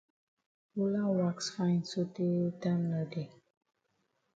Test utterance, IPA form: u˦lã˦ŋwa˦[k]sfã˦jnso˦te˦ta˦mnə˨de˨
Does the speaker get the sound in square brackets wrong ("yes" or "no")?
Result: no